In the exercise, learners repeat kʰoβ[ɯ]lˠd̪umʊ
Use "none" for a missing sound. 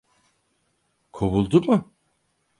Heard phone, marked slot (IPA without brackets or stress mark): u